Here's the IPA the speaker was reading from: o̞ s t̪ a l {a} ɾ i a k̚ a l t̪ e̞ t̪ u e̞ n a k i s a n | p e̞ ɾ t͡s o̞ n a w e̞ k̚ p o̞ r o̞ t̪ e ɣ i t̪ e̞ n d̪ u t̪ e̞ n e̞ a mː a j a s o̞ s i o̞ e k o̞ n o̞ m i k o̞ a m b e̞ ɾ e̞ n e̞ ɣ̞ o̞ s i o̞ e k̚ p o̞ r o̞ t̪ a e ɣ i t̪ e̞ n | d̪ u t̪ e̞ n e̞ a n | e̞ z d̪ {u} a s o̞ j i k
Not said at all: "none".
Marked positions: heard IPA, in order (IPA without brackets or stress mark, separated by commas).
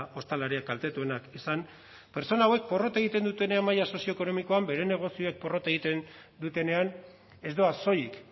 a, o